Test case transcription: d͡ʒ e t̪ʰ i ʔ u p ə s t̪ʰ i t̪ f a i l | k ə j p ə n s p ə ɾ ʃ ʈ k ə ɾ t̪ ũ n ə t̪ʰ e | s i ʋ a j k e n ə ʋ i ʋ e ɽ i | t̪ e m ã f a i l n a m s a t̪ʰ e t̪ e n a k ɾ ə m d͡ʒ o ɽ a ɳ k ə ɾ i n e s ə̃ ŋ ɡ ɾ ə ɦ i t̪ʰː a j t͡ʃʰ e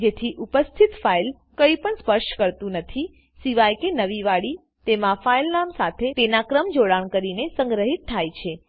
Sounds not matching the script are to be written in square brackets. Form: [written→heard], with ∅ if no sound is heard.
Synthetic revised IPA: d͡ʒ e t̪ʰ i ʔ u p ə s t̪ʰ i t̪ f a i l | k ə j p ə [n→ɳ] s p ə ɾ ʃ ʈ k ə ɾ t̪ ũ n ə t̪ʰ [e→i] | s i ʋ a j k e n ə ʋ i ʋ [e→a] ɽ i | t̪ e m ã f a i l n a m s a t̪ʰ e t̪ e n a k ɾ ə m d͡ʒ o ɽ a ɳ k ə ɾ i n e s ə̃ ŋ ɡ ɾ ə ɦ i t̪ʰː a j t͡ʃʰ e